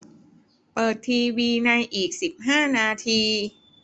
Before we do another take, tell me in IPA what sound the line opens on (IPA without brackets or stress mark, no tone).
p